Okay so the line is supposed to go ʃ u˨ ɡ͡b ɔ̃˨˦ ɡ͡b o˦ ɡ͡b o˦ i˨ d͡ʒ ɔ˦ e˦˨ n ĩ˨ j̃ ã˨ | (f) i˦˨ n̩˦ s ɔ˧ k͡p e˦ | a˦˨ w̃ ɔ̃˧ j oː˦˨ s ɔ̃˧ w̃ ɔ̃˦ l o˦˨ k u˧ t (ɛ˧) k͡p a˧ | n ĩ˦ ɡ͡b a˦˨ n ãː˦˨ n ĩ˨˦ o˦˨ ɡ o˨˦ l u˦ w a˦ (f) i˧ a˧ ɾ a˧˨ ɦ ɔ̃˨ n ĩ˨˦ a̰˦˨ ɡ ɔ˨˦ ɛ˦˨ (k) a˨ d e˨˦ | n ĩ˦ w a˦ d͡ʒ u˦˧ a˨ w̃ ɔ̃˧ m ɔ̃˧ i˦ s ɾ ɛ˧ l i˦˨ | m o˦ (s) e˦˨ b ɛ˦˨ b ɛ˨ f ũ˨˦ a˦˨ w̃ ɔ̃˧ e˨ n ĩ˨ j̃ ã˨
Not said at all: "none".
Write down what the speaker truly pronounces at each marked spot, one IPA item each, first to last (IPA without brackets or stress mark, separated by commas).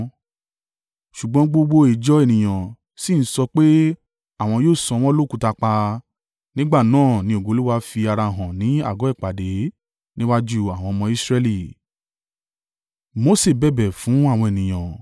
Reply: s, a˧, f, k͡p, s